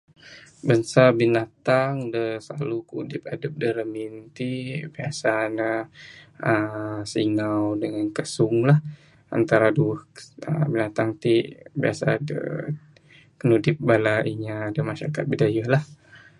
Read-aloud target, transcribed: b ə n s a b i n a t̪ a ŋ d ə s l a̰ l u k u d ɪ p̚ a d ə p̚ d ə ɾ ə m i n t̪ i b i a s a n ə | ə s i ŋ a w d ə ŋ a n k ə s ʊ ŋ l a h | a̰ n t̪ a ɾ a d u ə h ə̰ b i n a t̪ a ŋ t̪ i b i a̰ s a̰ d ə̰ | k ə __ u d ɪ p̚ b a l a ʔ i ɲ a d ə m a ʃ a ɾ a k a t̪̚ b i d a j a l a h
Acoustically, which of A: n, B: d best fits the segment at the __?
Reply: A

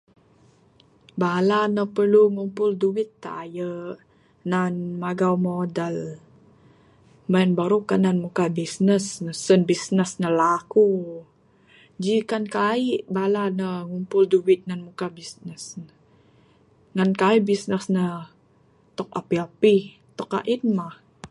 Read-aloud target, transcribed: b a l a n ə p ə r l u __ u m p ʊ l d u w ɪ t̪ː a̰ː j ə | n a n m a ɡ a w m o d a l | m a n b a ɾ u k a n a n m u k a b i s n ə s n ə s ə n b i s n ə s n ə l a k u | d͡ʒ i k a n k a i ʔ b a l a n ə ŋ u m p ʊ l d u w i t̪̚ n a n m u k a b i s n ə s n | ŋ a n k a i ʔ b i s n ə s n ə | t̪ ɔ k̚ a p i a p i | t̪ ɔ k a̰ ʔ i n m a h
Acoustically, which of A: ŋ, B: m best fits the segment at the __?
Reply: A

